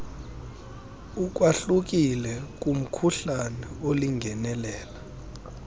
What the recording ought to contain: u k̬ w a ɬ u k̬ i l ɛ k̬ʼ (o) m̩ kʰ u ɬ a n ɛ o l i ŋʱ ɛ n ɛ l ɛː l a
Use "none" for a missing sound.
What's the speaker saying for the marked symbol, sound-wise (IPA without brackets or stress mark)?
u